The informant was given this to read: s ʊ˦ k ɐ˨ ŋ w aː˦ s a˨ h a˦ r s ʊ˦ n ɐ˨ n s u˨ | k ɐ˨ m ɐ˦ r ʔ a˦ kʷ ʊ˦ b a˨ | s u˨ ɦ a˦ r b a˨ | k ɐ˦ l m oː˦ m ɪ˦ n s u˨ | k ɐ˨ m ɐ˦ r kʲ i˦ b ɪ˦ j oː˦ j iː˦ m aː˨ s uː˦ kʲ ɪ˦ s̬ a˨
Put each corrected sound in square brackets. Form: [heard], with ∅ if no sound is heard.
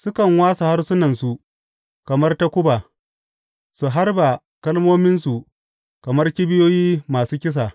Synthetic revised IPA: s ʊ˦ k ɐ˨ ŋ w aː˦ s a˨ h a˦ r s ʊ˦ n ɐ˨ n s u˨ | k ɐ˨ m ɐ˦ r [t] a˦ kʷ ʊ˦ b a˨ | s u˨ ɦ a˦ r b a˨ | k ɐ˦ l m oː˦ m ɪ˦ n s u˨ | k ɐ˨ m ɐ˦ r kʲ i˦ b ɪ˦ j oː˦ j iː˦ m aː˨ s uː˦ kʲ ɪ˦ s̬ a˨